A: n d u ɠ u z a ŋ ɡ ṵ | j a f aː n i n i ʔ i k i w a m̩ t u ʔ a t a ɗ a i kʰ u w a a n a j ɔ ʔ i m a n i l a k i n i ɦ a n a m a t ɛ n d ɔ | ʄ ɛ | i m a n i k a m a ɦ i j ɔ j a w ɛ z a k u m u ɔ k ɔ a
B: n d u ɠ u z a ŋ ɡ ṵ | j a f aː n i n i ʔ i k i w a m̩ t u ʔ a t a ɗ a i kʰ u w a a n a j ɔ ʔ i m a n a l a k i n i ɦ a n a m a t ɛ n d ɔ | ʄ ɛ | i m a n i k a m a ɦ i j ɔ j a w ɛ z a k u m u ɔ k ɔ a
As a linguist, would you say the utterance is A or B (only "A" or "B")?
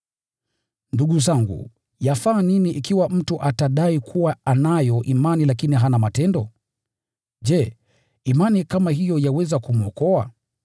A